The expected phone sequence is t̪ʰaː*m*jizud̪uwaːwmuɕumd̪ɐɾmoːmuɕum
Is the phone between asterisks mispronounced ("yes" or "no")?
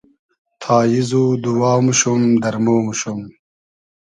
yes